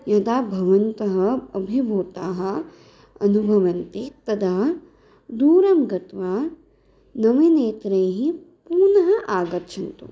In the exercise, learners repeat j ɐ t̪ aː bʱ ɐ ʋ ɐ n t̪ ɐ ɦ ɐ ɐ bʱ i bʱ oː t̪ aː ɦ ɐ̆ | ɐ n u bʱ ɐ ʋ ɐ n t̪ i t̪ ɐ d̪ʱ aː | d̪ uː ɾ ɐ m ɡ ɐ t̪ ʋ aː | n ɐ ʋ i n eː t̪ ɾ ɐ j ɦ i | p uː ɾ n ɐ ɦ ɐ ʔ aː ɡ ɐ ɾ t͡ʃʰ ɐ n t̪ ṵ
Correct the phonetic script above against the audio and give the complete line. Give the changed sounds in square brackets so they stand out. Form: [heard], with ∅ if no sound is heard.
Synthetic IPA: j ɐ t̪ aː bʱ ɐ ʋ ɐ n t̪ ɐ ɦ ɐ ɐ bʱ i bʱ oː t̪ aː ɦ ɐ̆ | ɐ n u bʱ ɐ ʋ ɐ n t̪ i t̪ ɐ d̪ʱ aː | d̪ uː ɾ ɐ m ɡ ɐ t̪ ʋ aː | n ɐ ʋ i n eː t̪ ɾ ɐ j ɦ i | p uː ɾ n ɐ ɦ ɐ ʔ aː ɡ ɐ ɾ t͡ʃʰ ɐ n t̪ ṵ

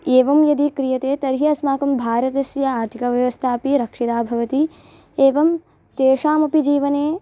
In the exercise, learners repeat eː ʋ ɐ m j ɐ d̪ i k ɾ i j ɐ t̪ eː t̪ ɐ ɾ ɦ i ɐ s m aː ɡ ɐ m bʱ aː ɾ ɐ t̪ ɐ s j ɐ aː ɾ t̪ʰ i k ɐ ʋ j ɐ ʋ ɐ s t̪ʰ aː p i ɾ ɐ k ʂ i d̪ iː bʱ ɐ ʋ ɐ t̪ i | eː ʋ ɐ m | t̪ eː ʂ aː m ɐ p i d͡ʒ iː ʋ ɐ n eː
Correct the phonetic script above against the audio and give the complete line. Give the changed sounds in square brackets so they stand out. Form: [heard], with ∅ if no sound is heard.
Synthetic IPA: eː ʋ ɐ m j ɐ d̪ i k ɾ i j ɐ t̪ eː t̪ ɐ ɾ ɦ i ɐ s m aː [k] ɐ m bʱ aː ɾ ɐ t̪ ɐ s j ɐ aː ɾ t̪ʰ i k ɐ ʋ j ɐ ʋ ɐ s t̪ʰ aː p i ɾ ɐ k ʂ i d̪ [aː] bʱ ɐ ʋ ɐ t̪ i | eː ʋ ɐ m | t̪ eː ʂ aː m ɐ p i d͡ʒ iː ʋ ɐ n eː

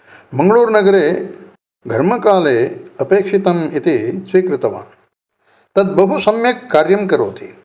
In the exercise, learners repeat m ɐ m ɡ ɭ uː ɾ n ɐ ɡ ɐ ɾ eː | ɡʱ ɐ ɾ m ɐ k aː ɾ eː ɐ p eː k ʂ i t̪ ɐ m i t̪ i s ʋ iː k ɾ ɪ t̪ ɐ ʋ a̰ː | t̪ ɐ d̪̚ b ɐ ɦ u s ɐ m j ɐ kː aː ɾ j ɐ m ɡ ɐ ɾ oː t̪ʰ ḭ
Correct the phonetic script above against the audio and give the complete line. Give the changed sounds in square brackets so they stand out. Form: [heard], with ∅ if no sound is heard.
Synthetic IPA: m ɐ [ŋ] ɡ ɭ uː ɾ n ɐ ɡ ɐ ɾ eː | ɡʱ ɐ ɾ m ɐ k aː [l] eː ɐ p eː k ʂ i t̪ ɐ m i t̪ i s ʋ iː k ɾ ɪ t̪ ɐ ʋ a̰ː | t̪ ɐ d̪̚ b ɐ ɦ u s ɐ m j ɐ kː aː ɾ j ɐ m [k] ɐ ɾ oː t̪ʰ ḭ

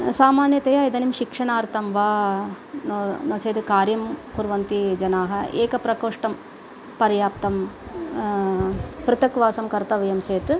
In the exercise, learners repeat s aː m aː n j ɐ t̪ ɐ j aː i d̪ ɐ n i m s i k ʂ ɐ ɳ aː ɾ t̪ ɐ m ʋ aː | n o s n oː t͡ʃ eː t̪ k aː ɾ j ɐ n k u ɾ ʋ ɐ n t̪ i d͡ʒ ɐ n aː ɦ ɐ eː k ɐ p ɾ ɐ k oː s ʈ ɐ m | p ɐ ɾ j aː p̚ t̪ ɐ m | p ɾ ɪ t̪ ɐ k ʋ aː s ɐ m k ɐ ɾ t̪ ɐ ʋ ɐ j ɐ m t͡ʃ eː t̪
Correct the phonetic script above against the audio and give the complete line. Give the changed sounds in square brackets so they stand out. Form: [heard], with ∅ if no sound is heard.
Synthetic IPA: s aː m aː n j ɐ t̪ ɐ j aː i d̪ ɐ n i m [ʃ] i k ʂ ɐ ɳ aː ɾ t̪ ɐ m ʋ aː | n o [∅] n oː t͡ʃ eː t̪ k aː ɾ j ɐ [m] k u ɾ ʋ ɐ n t̪ i d͡ʒ ɐ n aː ɦ ɐ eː k ɐ p ɾ ɐ k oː [ʂ] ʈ ɐ m | p ɐ ɾ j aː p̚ t̪ ɐ m | p ɾ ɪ t̪ ɐ k ʋ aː s ɐ m k ɐ ɾ t̪ ɐ ʋ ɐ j ɐ m t͡ʃ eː t̪

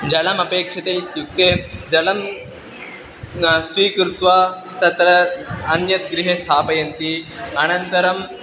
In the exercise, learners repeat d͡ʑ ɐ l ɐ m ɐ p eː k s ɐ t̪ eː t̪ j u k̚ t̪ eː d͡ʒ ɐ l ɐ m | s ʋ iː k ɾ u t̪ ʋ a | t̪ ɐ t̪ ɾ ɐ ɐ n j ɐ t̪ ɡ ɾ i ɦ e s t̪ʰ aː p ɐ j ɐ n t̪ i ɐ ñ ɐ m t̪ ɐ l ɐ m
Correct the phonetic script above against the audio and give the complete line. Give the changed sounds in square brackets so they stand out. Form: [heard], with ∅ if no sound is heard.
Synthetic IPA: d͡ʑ ɐ l ɐ m ɐ p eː k [ʂ] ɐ t̪ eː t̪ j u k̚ t̪ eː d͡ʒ ɐ l ɐ m | s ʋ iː k ɾ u t̪ ʋ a | t̪ ɐ t̪ ɾ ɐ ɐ n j ɐ t̪ ɡ ɾ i ɦ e s t̪ʰ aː p ɐ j ɐ n t̪ i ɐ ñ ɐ [n] t̪ ɐ [ɾ] ɐ m

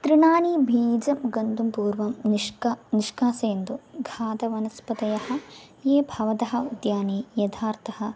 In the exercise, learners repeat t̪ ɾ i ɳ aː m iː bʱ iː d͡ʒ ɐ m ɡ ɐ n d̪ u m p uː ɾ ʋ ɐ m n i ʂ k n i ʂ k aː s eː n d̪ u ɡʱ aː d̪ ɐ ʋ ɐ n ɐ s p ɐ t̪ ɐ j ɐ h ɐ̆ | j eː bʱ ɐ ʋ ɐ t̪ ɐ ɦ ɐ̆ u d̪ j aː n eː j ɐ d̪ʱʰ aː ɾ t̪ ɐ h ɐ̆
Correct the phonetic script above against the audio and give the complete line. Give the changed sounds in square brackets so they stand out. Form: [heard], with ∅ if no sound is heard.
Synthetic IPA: t̪ ɾ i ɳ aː [n] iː bʱ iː d͡ʒ ɐ m ɡ ɐ n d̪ u m p uː ɾ ʋ ɐ m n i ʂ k n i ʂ k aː s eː n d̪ u ɡʱ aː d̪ ɐ ʋ ɐ n ɐ s p ɐ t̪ ɐ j ɐ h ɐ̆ | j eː bʱ ɐ ʋ ɐ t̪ ɐ ɦ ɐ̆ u d̪ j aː n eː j ɐ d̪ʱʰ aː ɾ t̪ ɐ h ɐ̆

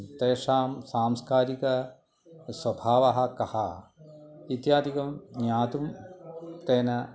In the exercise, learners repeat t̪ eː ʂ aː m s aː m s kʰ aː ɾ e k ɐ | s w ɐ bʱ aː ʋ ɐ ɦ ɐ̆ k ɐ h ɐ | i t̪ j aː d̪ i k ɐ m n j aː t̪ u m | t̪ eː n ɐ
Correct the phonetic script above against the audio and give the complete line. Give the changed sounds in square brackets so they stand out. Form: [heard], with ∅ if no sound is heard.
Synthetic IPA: t̪ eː ʂ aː m s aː m s [k] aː ɾ [i] k ɐ | s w ɐ bʱ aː ʋ ɐ ɦ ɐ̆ k ɐ h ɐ | i t̪ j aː d̪ i k ɐ m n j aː t̪ u m | t̪ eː n ɐ

